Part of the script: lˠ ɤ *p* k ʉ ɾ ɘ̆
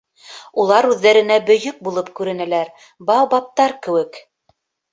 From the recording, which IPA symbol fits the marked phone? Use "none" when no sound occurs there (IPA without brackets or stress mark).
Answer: p